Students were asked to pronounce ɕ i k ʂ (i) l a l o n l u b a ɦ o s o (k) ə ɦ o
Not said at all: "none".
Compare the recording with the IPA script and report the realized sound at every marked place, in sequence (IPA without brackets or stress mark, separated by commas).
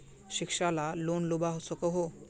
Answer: a, k